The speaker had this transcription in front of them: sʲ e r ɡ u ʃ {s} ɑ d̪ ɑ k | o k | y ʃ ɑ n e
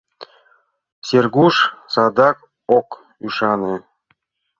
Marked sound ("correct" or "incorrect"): correct